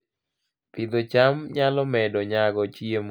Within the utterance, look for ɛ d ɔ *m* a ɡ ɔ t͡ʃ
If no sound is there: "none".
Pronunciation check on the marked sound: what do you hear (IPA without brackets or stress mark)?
ɲ